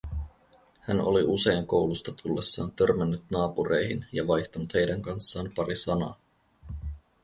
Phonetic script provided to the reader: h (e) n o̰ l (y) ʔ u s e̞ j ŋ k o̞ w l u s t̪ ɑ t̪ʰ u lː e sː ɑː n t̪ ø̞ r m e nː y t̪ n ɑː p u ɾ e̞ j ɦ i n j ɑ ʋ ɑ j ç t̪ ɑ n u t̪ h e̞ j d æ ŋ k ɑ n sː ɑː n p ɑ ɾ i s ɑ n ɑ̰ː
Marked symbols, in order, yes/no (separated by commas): no, no